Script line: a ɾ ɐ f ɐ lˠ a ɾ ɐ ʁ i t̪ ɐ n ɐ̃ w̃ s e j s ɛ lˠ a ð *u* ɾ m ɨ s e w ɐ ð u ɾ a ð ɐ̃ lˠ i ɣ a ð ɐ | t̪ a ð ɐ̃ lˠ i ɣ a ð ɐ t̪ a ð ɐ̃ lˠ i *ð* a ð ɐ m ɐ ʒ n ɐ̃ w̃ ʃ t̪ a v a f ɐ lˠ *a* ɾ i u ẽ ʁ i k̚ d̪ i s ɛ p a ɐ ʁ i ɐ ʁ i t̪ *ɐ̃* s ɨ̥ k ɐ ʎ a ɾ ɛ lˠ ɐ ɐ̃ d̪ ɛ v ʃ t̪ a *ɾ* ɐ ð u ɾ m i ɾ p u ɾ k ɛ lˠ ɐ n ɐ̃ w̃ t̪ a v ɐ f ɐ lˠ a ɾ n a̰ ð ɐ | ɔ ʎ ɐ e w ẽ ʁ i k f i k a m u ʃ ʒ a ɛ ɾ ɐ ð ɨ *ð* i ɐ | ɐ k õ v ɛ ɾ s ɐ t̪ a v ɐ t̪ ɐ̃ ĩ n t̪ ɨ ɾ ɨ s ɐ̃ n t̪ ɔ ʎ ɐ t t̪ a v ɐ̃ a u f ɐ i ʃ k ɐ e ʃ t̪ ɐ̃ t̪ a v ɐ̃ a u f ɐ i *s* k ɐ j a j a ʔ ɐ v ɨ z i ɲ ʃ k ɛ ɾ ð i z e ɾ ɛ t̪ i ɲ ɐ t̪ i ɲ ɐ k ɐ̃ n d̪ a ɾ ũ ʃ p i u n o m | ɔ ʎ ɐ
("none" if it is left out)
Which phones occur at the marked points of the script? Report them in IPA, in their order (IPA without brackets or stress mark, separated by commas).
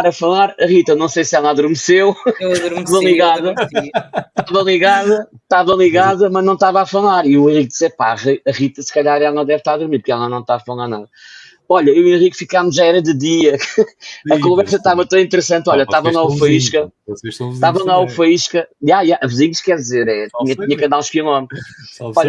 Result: u, ɣ, a, ɐ, ɾ, ð, ʃ